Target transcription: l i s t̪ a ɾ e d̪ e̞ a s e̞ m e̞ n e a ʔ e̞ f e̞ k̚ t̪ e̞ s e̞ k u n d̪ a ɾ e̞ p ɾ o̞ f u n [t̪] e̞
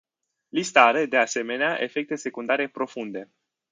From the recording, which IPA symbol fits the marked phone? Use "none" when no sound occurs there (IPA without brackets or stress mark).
d̪